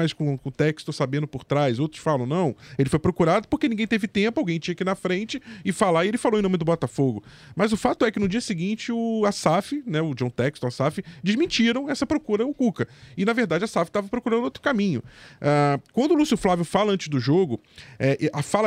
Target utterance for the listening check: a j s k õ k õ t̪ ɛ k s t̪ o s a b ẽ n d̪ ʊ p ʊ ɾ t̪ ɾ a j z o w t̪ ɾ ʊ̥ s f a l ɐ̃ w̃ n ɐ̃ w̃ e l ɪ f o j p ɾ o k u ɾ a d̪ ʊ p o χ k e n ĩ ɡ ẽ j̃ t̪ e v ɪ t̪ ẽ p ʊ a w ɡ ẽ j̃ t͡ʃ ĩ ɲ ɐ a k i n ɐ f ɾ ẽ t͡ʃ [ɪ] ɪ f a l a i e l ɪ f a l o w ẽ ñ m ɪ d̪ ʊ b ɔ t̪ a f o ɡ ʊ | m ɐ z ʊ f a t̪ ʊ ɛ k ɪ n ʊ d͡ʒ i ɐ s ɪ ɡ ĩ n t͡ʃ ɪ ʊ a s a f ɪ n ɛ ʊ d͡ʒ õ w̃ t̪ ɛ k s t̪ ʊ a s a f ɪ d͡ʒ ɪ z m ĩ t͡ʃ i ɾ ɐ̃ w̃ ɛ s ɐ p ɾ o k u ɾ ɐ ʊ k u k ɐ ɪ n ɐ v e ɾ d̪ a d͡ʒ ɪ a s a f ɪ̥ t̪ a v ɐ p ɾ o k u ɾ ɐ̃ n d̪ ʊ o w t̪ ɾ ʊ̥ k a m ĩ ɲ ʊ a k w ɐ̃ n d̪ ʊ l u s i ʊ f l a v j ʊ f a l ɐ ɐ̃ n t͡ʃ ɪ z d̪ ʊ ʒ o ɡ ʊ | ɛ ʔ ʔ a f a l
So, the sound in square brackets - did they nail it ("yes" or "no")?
yes